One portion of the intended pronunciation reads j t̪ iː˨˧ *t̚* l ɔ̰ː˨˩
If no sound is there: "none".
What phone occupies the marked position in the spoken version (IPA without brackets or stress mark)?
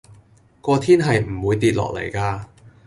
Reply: t̚